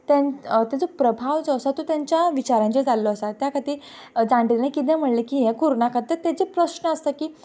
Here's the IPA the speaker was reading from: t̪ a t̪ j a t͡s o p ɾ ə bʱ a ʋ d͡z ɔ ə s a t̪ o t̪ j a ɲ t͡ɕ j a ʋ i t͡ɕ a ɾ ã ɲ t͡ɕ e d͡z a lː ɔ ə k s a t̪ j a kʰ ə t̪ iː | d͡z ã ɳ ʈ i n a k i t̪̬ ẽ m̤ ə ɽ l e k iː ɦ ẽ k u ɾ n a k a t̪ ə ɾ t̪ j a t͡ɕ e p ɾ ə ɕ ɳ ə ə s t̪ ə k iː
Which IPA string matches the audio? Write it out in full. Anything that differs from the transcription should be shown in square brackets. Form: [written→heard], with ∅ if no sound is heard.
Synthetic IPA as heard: t̪ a t̪ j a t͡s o p ɾ ə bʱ a ʋ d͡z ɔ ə s a t̪ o t̪ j a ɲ t͡ɕ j a ʋ i t͡ɕ a ɾ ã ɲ t͡ɕ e d͡z a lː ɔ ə [k→∅] s a t̪ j a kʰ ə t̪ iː | d͡z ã ɳ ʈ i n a k i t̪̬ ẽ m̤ ə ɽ l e k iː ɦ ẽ k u ɾ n a k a t̪ ə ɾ t̪ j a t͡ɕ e p ɾ ə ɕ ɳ ə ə s t̪ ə k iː